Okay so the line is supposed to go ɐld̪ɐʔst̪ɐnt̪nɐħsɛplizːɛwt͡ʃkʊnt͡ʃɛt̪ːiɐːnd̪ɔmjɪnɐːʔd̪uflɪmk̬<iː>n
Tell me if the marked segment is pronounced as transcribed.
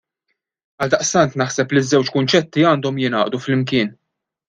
no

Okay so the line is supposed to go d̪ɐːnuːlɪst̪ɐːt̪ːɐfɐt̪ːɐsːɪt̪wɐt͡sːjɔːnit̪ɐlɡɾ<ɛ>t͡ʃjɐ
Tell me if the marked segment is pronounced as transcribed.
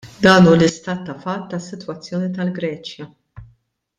no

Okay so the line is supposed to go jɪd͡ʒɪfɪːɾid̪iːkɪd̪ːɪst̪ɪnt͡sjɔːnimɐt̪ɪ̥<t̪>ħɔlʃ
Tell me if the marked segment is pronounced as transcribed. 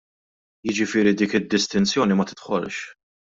yes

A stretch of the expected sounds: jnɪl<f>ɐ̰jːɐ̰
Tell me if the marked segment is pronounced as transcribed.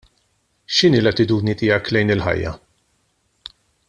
no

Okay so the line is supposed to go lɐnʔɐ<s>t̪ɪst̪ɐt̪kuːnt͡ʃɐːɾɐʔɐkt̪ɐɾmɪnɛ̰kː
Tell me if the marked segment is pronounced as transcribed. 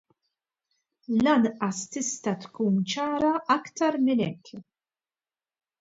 yes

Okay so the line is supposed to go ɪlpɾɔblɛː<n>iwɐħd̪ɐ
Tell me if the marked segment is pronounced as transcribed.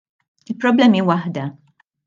no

